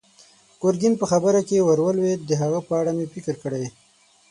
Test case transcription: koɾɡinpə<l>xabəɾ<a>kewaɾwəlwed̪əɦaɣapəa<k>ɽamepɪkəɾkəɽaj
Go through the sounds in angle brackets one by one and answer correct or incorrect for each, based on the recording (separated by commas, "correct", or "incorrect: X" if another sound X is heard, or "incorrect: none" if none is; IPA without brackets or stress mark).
incorrect: none, correct, incorrect: none